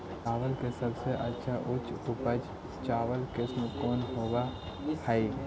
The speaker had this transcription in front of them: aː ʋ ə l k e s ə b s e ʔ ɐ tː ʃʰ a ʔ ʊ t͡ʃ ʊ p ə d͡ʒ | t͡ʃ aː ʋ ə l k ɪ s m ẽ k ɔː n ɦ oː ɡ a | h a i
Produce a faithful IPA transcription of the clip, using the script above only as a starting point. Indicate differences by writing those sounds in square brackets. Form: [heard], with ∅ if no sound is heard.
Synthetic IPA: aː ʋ ə l k e s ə b s e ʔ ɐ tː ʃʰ a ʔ ʊ t͡ʃ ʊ p ə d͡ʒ | t͡ʃ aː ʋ ə l k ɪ s m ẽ k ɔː n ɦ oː ɡ a | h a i